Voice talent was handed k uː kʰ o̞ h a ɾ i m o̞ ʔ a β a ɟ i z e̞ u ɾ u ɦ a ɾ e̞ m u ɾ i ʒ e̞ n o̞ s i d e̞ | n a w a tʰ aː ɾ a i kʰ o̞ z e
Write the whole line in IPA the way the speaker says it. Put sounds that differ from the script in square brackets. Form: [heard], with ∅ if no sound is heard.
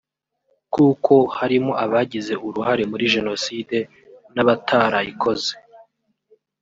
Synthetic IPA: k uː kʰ o̞ h a ɾ i m o̞ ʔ a β a ɟ i z e̞ u ɾ u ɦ a ɾ e̞ m u ɾ i ʒ e̞ n o̞ s i d e̞ | n a [β] a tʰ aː ɾ a i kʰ o̞ z e